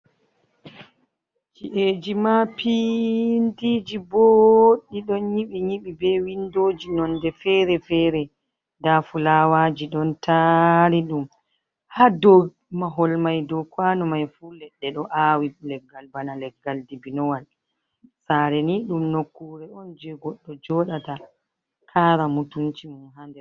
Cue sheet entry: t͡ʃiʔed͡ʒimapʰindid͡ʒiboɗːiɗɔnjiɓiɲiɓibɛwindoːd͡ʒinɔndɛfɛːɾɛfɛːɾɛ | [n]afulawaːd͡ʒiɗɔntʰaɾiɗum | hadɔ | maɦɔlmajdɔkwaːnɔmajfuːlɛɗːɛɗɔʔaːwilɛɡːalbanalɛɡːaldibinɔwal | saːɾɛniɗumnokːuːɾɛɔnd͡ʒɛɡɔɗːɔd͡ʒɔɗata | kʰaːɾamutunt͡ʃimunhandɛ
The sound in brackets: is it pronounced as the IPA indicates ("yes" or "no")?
no